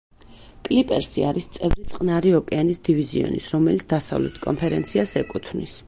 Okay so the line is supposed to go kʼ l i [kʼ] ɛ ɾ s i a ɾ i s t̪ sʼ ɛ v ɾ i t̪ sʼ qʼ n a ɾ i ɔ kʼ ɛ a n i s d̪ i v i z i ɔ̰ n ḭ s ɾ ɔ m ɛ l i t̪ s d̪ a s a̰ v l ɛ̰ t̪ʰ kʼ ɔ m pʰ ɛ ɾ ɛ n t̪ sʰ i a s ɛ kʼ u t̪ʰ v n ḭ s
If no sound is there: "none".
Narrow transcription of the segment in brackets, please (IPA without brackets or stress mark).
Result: pʼ